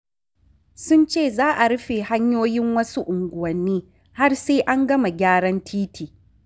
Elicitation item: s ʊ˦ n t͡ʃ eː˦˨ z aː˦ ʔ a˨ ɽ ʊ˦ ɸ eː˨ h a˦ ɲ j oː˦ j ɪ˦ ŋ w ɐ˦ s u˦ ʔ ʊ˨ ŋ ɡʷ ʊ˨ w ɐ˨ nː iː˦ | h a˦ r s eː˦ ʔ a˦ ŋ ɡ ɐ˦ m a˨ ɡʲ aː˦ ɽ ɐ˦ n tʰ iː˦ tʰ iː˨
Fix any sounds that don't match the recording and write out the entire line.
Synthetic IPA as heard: s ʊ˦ n t͡ʃ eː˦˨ z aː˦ ʔ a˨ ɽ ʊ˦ ɸ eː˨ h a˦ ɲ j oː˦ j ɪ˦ ŋ w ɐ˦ s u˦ ʔ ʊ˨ ŋ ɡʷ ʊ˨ w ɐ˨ nː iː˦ | h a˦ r s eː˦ ʔ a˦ ŋ ɡ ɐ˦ m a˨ ɡʲ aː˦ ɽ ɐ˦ n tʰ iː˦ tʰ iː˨